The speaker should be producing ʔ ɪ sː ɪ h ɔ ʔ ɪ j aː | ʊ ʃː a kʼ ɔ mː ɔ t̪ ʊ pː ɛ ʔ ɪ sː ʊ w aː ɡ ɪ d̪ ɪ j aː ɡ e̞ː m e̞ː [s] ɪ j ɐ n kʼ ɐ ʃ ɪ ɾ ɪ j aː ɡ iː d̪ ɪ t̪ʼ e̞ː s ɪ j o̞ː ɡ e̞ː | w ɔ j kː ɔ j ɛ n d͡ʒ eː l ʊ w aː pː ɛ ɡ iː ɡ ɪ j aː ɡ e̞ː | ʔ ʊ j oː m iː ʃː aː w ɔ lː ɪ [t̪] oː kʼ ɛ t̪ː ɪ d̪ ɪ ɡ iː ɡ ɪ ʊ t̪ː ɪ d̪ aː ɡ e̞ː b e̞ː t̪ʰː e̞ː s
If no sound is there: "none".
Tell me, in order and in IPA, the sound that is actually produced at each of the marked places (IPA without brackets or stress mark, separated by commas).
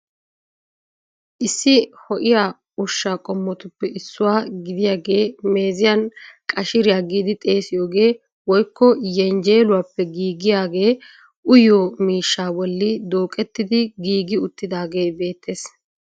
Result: z, d̪